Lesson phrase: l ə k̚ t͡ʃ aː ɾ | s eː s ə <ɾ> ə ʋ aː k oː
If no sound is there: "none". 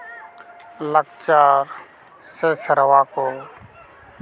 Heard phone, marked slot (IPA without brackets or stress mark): ɾ